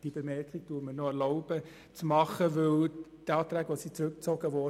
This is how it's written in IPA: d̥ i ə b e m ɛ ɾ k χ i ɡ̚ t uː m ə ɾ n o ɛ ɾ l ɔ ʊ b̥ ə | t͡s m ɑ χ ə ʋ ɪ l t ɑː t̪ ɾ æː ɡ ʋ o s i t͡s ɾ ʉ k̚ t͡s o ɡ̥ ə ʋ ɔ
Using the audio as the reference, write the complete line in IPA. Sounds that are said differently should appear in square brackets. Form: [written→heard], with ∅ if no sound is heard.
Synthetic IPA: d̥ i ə b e m ɛ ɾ k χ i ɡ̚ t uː m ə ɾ n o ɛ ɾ l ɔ ʊ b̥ ə | t͡s m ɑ χ ə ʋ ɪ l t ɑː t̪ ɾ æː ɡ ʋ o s i t͡s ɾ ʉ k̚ t͡s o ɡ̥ ə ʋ ɔ